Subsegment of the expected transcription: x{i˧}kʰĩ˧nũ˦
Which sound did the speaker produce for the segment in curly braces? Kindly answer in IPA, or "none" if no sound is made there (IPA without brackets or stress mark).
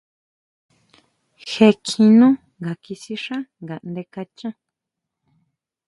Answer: e˧